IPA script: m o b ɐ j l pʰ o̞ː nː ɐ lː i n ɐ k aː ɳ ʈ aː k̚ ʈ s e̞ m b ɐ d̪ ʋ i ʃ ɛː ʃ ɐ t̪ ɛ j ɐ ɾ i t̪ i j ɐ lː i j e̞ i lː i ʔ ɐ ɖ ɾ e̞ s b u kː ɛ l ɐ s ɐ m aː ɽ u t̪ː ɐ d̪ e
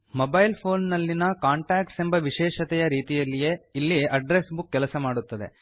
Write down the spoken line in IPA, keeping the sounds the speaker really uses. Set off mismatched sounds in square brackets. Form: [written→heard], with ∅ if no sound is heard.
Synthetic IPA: m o b ɐ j l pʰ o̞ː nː ɐ lː i n ɐ k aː ɳ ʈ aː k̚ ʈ s e̞ m b ɐ [d̪→∅] ʋ i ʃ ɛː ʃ ɐ t̪ ɛ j ɐ ɾ [i→iː] t̪ i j ɐ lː i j e̞ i lː i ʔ ɐ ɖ ɾ e̞ s b u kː ɛ l ɐ s ɐ m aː ɽ u t̪ː ɐ d̪ e